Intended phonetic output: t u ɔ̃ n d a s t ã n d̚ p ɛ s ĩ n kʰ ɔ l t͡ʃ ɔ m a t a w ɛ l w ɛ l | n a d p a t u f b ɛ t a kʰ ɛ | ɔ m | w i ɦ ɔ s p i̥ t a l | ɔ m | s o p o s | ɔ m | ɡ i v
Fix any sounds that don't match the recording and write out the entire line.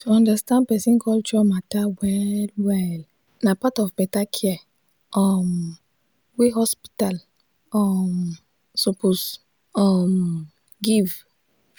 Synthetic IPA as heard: t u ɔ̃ n d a s t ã n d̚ p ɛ s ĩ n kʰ ɔ l t͡ʃ ɔ m a t a w ɛ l w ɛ l | n a p a t ɔ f b ɛ t a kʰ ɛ | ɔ m | w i ɦ ɔ s p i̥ t a l | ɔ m | s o p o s | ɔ m | ɡ i v